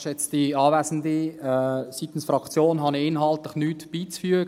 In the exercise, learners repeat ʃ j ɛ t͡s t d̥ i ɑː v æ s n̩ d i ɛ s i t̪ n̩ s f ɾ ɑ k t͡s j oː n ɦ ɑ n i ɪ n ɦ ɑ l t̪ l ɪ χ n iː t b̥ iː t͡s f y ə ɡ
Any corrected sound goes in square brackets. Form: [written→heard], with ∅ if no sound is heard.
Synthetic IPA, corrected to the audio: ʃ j ɛ t͡s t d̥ i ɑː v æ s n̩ d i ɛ s i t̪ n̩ s f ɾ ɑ k t͡s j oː n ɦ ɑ n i ɪ n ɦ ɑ l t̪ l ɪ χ n [iː→yː] t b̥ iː t͡s f y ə ɡ